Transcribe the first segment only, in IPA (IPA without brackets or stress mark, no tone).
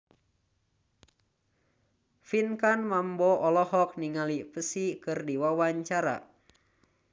f